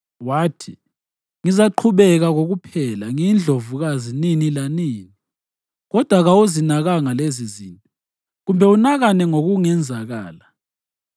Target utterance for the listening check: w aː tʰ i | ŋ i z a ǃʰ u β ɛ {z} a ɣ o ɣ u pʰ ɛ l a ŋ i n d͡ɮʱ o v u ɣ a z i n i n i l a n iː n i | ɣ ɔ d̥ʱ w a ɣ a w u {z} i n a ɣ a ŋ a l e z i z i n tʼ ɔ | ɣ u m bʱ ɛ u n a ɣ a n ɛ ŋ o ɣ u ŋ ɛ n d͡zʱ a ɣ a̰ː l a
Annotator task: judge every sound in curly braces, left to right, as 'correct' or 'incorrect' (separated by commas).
incorrect, correct